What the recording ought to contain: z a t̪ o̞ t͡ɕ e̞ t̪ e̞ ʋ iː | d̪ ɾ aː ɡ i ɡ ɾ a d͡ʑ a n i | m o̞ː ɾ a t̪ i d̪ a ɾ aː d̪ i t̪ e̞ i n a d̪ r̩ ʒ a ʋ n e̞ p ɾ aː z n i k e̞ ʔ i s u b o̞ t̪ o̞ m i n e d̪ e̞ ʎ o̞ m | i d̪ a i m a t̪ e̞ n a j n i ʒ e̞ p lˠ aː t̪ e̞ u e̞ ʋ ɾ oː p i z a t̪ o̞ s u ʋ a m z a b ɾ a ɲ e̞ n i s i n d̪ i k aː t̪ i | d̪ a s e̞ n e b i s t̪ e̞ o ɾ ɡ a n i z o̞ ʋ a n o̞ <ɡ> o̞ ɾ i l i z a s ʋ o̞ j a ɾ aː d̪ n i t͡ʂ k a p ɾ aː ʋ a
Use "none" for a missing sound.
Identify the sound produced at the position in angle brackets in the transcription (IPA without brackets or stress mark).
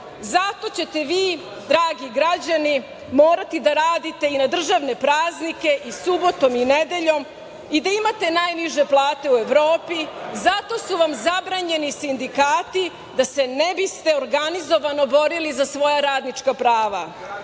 b